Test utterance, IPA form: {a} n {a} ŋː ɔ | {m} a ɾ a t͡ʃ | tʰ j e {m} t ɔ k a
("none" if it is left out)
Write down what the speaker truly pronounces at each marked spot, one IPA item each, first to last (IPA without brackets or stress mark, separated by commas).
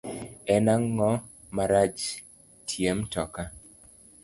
ɛ, a, m, m